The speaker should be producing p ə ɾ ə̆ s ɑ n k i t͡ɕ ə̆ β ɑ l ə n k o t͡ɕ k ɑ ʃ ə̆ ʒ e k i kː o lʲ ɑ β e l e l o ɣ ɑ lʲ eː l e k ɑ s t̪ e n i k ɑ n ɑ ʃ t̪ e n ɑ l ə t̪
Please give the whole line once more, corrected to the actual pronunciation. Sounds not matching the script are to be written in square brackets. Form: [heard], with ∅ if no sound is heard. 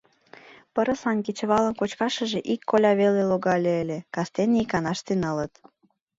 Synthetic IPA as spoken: p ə ɾ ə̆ s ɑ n k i t͡ɕ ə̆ β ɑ l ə n k o t͡ɕ k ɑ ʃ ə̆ ʒ e [ʔ] i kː o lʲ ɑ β e l e l o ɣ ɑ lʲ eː l e k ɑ s t̪ e n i k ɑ n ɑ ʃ t̪ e n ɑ l ə t̪